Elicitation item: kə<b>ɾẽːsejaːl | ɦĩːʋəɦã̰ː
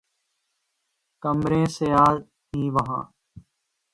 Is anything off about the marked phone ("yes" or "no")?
yes